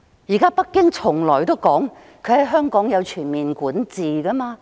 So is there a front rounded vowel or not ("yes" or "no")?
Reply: yes